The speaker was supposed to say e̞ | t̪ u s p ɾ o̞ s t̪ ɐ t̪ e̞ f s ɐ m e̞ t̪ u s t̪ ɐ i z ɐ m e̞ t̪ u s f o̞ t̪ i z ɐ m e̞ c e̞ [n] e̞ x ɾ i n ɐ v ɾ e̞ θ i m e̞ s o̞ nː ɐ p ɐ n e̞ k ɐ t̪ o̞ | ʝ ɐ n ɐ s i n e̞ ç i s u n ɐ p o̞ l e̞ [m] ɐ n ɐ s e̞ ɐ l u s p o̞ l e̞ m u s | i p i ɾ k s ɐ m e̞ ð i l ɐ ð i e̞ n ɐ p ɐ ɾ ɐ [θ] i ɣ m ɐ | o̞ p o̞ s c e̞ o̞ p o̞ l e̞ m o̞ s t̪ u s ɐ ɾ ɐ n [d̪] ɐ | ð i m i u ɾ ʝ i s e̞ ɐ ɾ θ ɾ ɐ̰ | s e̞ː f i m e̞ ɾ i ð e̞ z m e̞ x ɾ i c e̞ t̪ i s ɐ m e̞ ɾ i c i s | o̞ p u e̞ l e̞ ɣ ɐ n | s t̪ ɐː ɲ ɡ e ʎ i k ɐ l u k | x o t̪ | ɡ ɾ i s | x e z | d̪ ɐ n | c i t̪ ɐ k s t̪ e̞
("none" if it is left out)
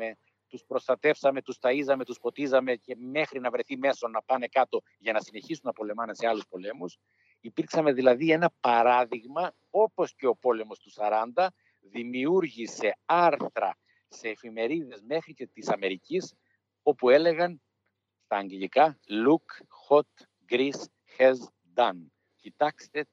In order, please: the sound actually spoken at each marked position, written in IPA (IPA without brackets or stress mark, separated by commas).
m, m, ð, d̪